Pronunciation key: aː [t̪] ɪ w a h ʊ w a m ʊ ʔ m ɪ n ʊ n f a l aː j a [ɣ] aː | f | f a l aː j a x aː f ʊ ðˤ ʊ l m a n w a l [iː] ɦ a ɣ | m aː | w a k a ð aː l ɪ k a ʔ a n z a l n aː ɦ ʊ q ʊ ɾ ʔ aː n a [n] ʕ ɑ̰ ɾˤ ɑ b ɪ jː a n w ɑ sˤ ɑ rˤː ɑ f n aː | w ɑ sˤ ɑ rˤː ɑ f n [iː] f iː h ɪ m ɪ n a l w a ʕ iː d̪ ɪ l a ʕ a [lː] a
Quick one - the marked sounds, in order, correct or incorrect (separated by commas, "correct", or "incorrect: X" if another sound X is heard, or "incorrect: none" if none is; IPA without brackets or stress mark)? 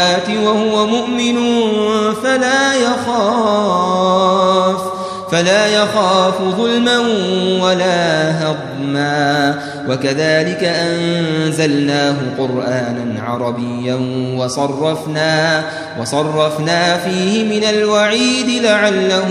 correct, incorrect: x, incorrect: aː, correct, incorrect: aː, correct